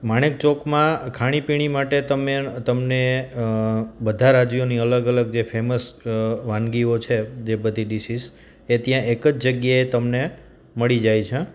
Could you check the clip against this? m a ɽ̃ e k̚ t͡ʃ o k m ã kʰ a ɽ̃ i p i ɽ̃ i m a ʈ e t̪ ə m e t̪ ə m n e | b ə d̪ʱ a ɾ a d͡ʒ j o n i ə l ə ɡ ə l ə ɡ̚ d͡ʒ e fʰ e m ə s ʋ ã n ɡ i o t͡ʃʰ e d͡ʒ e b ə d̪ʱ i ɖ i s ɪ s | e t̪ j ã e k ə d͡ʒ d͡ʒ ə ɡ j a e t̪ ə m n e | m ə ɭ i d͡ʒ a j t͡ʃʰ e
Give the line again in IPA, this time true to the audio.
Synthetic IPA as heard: m a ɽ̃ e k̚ t͡ʃ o k m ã kʰ a ɽ̃ i p i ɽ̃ i m a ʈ e t̪ ə m e t̪ ə m n e | b ə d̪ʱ a ɾ a d͡ʒ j o n i ə l ə ɡ ə l ə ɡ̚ d͡ʒ e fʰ e m ə s ʋ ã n ɡ i o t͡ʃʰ e d͡ʒ e b ə d̪ʱ i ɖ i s i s | e t̪ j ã e k ə d͡ʒ d͡ʒ ə ɡ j a e t̪ ə m n e | m ə ɭ i d͡ʒ a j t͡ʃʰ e